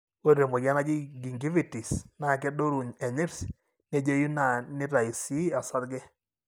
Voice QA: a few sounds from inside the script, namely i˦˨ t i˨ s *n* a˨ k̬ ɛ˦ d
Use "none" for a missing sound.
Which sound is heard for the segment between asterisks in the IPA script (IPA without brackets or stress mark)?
n